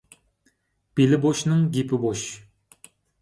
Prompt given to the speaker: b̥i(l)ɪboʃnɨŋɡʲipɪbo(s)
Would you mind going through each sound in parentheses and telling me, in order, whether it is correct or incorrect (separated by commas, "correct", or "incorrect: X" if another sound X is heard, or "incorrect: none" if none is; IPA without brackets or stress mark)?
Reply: correct, incorrect: ʃ